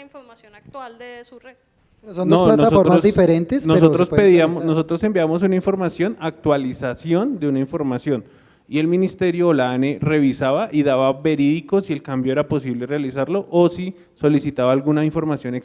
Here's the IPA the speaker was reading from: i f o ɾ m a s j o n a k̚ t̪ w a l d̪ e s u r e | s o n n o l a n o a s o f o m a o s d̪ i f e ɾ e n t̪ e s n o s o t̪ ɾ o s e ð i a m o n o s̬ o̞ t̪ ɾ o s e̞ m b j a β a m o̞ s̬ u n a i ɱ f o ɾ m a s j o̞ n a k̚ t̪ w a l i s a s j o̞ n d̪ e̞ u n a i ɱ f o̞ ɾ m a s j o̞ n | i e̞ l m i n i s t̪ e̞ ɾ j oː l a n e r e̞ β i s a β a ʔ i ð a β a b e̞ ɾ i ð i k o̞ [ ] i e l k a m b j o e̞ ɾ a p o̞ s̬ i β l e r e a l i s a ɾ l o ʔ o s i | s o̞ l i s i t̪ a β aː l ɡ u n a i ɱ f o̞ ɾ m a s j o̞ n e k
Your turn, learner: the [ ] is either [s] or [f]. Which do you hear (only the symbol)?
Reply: s